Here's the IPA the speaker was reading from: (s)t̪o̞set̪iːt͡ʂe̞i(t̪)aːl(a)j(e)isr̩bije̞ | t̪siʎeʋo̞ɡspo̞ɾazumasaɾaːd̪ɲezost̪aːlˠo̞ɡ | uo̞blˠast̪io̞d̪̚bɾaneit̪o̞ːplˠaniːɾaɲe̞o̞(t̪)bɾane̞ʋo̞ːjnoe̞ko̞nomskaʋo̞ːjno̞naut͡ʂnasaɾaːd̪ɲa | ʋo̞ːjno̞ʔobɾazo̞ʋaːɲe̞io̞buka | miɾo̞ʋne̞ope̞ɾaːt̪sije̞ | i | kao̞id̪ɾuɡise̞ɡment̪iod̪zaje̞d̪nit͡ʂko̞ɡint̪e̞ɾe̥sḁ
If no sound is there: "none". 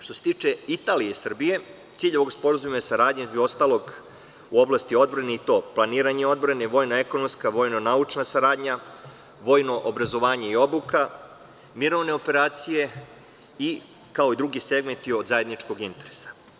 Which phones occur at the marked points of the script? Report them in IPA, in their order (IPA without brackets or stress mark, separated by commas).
ʃ, t̪, i, e, d̪